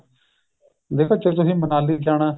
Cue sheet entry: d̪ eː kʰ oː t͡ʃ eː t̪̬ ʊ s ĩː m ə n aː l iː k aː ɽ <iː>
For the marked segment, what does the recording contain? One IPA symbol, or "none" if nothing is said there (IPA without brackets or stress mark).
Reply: aː